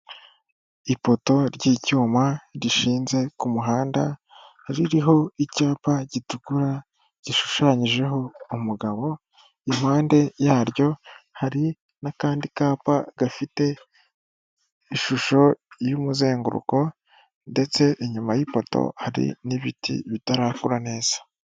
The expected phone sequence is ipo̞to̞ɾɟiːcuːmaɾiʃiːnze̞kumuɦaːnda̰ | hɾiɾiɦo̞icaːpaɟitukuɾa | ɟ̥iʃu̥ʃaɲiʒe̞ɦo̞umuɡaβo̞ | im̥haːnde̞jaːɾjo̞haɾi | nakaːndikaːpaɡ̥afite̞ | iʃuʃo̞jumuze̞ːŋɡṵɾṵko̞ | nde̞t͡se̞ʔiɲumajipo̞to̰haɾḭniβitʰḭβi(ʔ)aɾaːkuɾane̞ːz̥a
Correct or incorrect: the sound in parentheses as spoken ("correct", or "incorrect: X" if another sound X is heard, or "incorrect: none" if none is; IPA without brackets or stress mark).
incorrect: t